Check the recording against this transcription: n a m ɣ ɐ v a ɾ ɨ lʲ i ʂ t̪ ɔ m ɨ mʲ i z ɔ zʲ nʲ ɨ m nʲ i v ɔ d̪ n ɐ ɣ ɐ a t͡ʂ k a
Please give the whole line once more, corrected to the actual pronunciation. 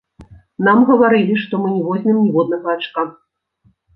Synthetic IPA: n a m ɣ ɐ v a ɾ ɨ lʲ i ʂ t̪ ɔ m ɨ nʲ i v ɔ zʲ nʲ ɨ m nʲ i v ɔ d̪ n ɐ ɣ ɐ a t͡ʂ k a